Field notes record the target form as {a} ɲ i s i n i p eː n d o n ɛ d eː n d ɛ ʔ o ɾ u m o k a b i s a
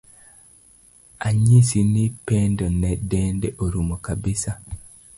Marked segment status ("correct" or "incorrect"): correct